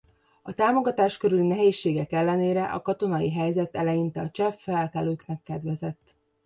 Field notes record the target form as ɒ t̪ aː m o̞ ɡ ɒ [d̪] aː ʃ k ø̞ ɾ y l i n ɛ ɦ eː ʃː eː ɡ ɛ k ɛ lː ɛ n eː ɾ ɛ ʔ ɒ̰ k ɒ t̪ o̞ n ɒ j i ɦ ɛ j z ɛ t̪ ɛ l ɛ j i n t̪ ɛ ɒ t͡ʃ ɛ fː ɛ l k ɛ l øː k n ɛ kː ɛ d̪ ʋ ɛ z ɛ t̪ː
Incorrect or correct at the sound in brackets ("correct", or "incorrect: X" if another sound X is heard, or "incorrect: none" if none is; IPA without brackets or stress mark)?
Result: incorrect: t̪